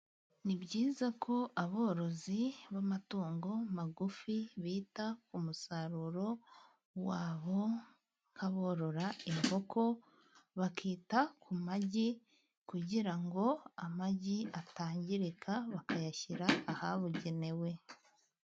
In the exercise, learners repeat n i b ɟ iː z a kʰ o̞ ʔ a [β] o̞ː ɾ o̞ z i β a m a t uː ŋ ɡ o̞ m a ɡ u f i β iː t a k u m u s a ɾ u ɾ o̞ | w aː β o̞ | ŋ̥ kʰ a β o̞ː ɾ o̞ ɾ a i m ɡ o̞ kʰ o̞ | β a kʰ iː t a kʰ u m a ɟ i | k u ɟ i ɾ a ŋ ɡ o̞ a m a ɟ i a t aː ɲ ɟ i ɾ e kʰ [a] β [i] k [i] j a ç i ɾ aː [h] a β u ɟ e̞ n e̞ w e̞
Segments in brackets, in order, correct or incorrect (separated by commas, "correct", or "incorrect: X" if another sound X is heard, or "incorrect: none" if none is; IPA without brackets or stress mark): correct, correct, incorrect: a, incorrect: a, correct